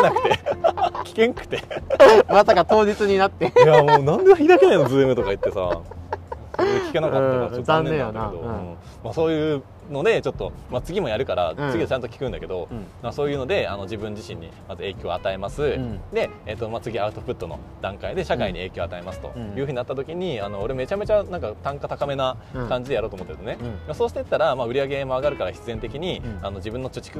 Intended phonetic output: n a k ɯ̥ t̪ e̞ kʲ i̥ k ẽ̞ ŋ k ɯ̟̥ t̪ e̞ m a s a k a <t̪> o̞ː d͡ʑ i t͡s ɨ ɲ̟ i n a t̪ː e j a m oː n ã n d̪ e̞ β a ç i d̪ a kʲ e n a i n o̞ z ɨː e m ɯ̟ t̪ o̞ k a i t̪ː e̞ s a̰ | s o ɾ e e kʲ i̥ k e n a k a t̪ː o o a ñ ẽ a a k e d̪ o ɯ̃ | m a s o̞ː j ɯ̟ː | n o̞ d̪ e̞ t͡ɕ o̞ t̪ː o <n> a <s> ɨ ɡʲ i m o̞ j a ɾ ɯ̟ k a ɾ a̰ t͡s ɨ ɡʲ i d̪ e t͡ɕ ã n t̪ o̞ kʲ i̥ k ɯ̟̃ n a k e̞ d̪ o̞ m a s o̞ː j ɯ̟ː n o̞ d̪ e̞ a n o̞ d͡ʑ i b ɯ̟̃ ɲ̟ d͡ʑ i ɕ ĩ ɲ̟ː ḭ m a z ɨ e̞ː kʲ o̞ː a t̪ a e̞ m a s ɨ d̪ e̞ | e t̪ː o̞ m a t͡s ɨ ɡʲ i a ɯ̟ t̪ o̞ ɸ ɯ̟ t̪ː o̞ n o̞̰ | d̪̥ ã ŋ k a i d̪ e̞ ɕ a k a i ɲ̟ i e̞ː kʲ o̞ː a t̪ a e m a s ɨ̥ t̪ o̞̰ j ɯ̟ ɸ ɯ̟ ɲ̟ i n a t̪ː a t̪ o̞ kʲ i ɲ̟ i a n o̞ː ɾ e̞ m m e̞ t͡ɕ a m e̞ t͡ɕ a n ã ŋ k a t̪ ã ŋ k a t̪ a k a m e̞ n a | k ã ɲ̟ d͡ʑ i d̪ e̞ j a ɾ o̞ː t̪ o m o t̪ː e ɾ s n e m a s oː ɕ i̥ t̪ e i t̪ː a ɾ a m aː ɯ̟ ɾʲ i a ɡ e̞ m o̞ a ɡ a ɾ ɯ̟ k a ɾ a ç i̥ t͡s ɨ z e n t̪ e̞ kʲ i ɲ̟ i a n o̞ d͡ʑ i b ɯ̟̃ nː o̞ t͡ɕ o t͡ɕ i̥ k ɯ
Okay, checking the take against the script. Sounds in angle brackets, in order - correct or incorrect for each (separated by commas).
correct, incorrect, incorrect